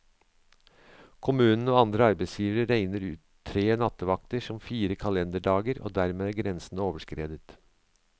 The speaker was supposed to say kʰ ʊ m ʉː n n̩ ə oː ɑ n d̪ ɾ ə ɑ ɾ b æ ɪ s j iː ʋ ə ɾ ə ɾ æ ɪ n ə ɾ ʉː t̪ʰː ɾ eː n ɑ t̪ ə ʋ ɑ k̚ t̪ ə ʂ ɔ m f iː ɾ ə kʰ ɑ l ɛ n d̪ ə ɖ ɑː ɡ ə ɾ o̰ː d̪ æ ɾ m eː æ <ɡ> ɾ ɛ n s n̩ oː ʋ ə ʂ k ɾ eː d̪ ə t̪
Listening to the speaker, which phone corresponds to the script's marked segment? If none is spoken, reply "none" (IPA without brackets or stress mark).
ɡ